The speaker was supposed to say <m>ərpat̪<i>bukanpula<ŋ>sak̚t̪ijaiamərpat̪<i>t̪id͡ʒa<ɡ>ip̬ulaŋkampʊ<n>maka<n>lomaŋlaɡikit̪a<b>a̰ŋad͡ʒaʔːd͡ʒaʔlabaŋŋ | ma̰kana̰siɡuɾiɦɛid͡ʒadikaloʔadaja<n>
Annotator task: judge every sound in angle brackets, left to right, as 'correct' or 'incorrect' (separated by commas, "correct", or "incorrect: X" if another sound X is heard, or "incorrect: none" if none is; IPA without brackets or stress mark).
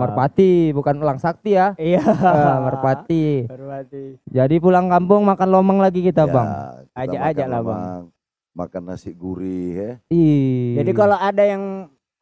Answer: correct, correct, correct, correct, incorrect: d, incorrect: ŋ, correct, correct, incorrect: ŋ